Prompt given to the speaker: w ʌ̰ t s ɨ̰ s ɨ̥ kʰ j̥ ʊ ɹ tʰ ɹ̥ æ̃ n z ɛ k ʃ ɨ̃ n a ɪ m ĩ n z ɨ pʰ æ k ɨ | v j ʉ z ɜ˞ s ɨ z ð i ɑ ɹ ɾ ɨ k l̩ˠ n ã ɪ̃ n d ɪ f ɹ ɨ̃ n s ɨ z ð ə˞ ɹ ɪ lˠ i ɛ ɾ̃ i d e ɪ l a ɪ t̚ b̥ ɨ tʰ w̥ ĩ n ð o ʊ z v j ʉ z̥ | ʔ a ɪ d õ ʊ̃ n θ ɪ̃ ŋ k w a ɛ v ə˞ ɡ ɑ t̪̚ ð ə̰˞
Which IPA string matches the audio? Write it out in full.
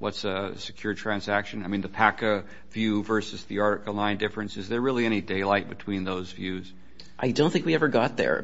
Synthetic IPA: w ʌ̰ t s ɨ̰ s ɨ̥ kʰ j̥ ʊ ɹ tʰ ɹ̥ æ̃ n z æ k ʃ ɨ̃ n a ɪ m ĩ n ð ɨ pʰ æ k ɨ | v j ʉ v ɜ˞ s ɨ z ð i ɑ ɹ ɾ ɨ k l̩ˠ n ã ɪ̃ n d ɪ f ɹ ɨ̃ n s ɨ z ð ə˞ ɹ ɪ lˠ i ɛ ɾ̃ i d e ɪ l a ɪ t̚ b̥ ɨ tʰ w̥ ĩ n ð o ʊ z v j ʉ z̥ | ʔ a ɪ d õ ʊ̃ n θ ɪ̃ ŋ k w i ɛ v ə˞ ɡ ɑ t̪̚ ð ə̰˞